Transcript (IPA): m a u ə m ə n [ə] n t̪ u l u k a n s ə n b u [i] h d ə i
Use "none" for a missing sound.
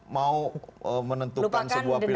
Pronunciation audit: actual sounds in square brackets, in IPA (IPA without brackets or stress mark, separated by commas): ə, a